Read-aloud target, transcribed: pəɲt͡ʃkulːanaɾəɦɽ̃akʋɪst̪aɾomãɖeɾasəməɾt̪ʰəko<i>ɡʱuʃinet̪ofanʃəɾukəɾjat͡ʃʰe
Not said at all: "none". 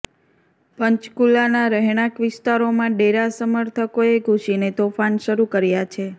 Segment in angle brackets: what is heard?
e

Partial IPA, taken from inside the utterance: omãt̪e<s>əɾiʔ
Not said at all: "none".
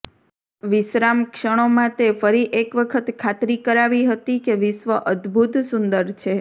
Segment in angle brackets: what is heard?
f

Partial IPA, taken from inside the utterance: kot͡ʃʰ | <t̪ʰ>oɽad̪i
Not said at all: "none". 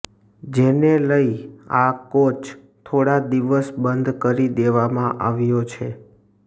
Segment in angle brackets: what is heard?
t̪ʰ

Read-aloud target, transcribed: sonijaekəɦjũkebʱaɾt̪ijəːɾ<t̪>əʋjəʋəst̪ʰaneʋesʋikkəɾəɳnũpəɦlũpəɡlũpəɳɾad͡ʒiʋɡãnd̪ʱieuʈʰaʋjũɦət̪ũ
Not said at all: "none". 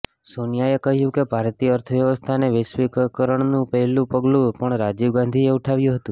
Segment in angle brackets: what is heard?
t̪ʰ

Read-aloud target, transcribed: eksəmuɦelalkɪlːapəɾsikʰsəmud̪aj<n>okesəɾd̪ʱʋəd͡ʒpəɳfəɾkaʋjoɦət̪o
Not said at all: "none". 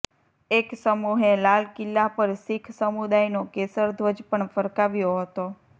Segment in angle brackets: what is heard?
n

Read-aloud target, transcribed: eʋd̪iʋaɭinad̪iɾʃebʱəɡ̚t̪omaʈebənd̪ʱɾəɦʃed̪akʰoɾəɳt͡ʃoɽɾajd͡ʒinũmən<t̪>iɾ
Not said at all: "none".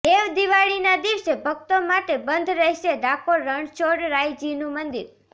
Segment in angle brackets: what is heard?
d̪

